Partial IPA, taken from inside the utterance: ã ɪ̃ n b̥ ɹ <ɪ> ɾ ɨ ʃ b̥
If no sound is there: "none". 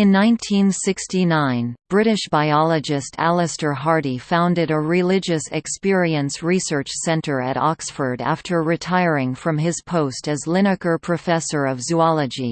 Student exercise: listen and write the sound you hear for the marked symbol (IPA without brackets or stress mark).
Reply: ɪ